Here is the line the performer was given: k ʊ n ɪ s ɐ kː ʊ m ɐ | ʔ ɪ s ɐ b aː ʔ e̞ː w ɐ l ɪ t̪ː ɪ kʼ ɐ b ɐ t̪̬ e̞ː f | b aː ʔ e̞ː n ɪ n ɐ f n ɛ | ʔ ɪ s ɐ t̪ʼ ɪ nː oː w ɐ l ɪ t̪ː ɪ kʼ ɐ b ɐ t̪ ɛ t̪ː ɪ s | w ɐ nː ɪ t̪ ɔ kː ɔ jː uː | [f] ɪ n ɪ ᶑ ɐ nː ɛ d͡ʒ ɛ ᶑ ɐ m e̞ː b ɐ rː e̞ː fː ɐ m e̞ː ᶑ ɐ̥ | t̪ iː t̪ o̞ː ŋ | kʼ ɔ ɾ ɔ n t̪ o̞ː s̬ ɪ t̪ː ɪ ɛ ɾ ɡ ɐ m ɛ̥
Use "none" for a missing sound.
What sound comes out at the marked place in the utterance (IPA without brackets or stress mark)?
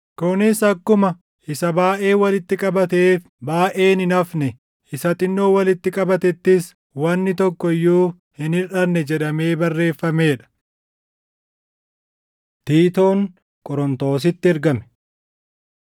h